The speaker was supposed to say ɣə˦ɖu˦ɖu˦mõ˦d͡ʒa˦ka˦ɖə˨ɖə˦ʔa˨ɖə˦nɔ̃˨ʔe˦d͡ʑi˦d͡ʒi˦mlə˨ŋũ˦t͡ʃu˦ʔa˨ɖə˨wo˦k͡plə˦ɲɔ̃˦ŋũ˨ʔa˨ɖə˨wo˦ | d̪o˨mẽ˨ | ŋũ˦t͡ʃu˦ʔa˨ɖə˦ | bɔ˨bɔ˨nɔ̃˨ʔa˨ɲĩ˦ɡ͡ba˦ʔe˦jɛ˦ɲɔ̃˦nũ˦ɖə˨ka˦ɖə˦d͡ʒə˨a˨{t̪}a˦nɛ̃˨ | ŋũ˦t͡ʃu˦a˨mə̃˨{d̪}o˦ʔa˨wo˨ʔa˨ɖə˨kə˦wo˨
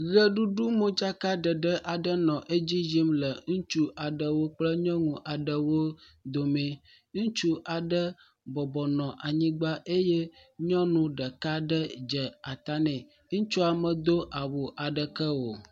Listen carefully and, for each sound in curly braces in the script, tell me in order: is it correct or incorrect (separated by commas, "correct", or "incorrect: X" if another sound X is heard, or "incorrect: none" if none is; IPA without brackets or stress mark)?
correct, correct